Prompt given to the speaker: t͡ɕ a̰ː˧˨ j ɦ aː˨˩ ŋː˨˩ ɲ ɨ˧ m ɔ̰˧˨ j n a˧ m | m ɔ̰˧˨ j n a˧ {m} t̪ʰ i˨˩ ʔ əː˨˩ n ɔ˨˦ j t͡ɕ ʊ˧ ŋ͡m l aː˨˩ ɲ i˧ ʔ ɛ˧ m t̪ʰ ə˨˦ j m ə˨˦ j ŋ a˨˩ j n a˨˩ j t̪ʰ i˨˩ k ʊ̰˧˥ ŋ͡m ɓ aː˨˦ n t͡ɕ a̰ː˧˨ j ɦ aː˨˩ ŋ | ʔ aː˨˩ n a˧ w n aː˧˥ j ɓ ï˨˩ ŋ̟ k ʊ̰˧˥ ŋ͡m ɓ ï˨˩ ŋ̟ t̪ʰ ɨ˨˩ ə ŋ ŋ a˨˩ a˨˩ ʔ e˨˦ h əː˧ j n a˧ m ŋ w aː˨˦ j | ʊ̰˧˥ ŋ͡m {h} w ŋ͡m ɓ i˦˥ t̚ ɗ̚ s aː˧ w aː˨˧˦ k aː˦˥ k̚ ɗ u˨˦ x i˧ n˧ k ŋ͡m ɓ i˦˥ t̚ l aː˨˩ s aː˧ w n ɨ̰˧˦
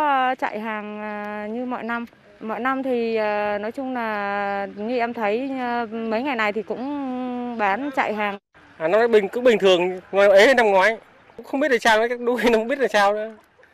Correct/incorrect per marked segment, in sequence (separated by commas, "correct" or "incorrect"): correct, incorrect